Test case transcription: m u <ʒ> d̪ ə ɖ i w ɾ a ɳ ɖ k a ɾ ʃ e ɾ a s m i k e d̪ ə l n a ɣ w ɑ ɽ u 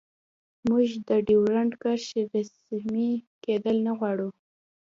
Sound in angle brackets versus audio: correct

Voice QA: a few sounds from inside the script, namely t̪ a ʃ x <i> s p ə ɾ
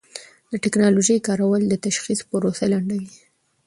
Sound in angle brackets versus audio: correct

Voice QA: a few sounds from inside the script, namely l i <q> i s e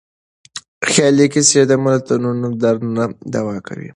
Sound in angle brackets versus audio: incorrect: k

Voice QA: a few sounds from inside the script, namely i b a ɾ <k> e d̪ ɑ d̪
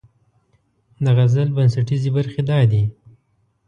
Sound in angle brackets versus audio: incorrect: x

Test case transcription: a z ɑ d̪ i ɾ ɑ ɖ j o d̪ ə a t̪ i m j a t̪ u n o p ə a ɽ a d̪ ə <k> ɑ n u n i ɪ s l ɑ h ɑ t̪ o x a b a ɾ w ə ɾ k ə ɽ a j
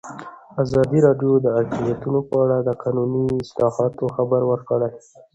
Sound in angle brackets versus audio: incorrect: q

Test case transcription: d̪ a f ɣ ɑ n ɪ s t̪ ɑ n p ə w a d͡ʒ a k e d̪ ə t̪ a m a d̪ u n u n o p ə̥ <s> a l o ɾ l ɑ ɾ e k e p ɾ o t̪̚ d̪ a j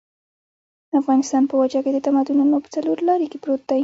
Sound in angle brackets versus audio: incorrect: t͡s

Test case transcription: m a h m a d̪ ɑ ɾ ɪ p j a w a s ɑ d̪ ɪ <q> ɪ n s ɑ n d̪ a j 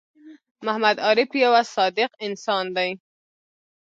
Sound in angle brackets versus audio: correct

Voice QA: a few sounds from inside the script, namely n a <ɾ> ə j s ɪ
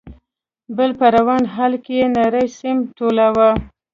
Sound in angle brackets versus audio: correct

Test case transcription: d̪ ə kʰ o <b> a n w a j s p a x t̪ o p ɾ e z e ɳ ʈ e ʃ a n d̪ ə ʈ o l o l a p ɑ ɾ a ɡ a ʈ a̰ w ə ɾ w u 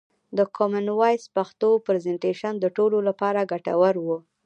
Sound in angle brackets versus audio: incorrect: m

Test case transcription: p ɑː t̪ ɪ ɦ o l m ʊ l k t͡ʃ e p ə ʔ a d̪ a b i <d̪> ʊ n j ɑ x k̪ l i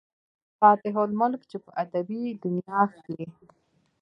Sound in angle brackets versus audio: correct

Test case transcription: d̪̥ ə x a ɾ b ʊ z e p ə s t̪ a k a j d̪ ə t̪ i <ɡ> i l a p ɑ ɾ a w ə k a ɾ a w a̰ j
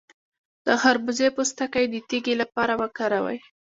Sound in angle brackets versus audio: correct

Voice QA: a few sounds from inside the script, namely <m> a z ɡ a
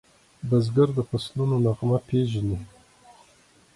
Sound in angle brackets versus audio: incorrect: b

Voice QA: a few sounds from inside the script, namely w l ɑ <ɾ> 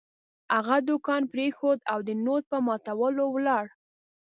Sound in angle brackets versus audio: incorrect: ɽ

